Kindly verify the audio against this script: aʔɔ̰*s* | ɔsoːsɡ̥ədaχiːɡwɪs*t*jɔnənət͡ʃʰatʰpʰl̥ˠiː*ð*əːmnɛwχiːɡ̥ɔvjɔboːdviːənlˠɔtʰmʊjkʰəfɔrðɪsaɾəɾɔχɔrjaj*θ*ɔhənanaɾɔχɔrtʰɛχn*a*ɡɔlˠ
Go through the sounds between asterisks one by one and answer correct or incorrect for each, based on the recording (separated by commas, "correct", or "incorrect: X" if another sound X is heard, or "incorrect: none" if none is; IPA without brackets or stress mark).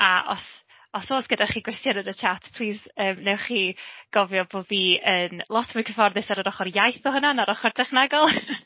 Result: correct, correct, incorrect: z, correct, correct